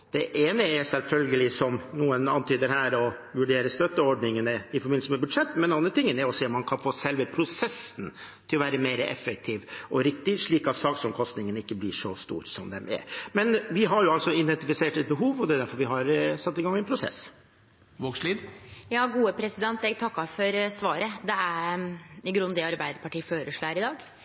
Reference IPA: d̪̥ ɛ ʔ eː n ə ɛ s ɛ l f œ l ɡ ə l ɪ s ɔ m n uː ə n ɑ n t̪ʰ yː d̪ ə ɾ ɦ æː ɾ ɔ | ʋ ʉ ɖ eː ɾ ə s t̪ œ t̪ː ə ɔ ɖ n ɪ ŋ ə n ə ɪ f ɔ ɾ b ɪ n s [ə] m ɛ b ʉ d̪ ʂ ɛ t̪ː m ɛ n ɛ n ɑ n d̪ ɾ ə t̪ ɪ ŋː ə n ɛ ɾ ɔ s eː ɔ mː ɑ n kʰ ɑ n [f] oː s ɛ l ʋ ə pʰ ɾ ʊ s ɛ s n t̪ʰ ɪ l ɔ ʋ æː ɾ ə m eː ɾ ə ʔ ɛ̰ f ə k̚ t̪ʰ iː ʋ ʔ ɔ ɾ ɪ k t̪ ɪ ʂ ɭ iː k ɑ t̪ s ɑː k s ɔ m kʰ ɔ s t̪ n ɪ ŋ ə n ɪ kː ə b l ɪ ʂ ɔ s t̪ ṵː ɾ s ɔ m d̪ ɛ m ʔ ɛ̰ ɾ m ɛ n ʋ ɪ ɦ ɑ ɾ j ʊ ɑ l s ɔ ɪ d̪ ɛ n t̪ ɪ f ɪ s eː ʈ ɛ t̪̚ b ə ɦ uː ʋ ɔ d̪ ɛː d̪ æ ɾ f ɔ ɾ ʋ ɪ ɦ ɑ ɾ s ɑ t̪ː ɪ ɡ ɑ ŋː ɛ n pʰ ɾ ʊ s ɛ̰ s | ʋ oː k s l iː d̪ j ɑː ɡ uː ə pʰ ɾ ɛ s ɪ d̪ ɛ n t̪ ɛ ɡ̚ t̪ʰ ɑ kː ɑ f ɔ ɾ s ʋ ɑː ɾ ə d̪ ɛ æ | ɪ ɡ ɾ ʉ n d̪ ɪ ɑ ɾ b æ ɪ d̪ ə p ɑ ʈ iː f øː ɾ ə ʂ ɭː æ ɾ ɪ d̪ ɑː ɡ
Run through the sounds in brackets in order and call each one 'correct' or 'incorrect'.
correct, correct

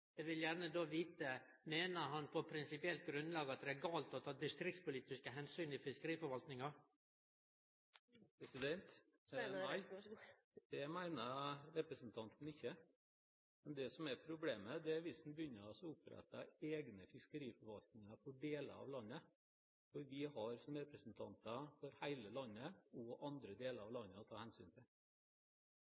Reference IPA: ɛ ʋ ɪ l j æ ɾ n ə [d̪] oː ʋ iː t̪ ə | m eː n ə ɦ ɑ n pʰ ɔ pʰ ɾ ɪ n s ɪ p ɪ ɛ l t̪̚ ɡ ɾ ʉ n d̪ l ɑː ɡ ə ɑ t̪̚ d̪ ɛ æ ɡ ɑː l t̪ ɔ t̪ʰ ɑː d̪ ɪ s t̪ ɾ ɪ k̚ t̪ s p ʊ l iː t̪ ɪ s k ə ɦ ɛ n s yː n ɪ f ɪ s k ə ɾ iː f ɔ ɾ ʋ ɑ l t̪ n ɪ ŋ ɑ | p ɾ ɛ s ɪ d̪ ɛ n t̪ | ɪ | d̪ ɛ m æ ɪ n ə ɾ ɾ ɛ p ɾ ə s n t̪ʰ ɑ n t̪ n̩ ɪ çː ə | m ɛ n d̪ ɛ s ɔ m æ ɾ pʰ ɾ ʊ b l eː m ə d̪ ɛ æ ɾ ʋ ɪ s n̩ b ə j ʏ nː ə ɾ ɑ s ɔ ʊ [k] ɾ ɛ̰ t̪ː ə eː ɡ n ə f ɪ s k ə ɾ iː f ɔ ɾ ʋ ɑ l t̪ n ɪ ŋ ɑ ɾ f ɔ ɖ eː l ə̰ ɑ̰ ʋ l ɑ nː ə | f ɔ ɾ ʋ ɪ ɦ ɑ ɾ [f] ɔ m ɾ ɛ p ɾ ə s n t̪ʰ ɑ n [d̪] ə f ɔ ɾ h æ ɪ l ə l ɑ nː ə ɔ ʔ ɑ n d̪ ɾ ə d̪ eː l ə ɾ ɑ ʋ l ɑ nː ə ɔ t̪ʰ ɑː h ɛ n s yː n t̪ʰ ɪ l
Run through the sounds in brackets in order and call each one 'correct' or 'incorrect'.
correct, incorrect, incorrect, incorrect

